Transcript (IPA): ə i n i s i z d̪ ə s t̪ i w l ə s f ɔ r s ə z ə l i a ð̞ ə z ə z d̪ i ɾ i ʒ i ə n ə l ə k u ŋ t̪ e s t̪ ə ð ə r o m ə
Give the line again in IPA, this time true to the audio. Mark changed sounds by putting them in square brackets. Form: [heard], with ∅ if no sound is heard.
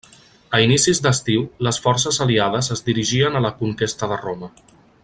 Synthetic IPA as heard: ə i n i s i z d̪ ə s t̪ i w l ə s f ɔ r s ə z ə l i a ð̞ ə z ə z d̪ i ɾ i ʒ i ə n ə l ə k u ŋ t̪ e s t̪ ə ð ə r o m ə